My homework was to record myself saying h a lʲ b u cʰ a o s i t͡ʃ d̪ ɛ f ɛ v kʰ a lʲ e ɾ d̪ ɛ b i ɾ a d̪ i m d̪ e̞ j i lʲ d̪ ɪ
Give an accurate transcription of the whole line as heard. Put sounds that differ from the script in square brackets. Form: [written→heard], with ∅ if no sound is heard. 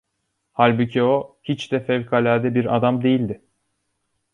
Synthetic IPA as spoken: h a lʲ b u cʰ [a→i] o [s→h] i t͡ʃ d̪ ɛ f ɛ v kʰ a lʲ [e→æ] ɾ d̪ ɛ b i ɾ a d̪ [i→a] m d̪ e̞ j i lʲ d̪ ɪ